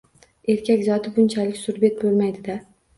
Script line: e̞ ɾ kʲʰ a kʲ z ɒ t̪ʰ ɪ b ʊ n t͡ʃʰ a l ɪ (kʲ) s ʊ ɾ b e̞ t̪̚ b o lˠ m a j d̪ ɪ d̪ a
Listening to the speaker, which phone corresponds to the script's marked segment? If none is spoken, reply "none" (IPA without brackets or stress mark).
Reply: kʲ